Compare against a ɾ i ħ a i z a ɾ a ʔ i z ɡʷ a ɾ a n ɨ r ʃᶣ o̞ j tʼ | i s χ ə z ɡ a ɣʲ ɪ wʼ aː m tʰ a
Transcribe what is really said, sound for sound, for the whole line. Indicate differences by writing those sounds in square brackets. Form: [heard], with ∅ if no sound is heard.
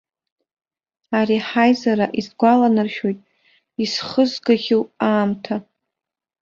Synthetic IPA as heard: a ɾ i ħ a [j] z a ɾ a ʔ i z ɡʷ a [l] a n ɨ r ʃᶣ o̞ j tʼ | i s χ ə z ɡ a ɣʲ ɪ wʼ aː m tʰ a